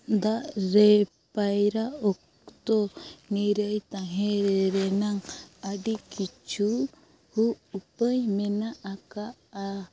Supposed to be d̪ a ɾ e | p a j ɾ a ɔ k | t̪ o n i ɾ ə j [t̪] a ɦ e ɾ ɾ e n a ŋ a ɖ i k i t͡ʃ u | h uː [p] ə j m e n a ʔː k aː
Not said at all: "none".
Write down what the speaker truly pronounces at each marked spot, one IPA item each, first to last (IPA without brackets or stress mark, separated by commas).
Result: t̪, p